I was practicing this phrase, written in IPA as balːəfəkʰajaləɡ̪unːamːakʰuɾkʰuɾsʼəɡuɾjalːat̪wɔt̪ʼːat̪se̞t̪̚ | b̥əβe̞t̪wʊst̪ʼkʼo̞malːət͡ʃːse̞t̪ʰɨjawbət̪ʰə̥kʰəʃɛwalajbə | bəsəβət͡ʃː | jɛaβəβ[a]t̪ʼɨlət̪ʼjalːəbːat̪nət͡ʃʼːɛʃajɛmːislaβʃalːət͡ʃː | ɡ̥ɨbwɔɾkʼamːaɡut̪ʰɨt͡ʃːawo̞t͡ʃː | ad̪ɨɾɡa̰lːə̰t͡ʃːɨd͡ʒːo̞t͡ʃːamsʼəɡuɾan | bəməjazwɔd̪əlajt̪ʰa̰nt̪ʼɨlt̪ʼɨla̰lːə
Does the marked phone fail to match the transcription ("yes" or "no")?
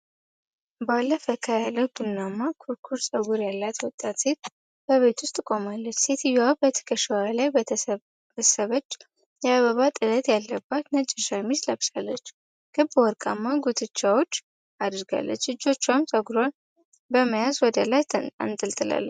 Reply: no